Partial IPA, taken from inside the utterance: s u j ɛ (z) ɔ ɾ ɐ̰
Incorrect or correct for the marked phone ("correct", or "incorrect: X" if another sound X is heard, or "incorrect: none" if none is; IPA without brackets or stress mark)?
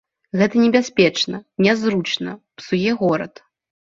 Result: incorrect: ɣ